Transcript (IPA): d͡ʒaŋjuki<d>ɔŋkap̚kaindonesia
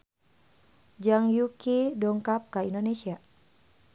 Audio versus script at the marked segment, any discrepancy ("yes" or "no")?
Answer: no